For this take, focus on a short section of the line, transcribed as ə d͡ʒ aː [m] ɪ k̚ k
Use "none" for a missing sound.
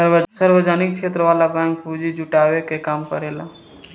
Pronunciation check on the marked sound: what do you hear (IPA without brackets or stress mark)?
n